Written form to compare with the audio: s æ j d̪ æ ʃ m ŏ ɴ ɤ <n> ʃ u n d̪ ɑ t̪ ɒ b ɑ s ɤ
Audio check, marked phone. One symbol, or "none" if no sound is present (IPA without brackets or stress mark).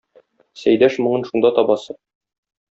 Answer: n